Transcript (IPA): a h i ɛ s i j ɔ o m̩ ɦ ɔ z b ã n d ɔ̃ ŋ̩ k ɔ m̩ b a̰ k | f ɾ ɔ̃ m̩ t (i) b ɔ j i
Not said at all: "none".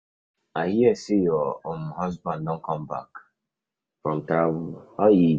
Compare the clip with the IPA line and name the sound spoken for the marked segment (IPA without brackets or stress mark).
a